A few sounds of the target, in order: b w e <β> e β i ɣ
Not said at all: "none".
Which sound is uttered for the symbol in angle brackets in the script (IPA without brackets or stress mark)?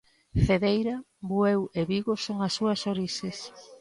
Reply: w